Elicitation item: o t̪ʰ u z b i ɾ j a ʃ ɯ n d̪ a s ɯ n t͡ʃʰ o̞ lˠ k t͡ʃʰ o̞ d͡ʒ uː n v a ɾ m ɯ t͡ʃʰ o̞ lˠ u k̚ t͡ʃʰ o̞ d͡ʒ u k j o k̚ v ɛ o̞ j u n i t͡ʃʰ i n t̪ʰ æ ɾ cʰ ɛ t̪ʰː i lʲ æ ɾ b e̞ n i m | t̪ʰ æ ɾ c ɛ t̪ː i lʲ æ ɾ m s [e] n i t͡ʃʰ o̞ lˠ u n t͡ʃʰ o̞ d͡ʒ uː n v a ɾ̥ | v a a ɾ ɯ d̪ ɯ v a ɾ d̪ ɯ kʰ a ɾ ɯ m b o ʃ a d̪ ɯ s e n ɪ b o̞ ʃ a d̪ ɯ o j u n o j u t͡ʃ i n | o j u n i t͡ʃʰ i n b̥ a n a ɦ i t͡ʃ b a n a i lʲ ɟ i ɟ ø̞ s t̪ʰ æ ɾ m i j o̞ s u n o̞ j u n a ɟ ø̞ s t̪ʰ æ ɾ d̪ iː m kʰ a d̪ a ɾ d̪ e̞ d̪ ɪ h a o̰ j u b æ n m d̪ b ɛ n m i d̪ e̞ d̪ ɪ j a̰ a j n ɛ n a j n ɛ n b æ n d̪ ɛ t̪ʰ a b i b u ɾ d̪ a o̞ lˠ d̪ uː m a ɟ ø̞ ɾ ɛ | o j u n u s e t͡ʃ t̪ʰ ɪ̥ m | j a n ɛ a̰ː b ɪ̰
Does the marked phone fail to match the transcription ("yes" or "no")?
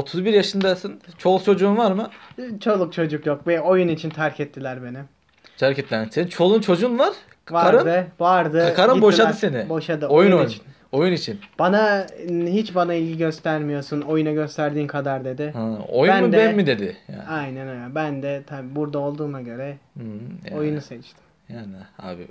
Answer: no